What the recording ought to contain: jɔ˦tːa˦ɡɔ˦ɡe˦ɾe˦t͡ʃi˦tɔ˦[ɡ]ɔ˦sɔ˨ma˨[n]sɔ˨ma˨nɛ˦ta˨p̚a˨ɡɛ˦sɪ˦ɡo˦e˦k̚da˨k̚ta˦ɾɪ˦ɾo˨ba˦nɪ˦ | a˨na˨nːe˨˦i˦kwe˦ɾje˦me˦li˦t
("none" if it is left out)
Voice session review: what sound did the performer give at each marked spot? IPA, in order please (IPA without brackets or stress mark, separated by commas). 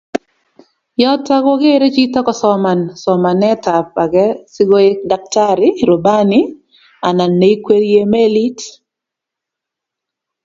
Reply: k, n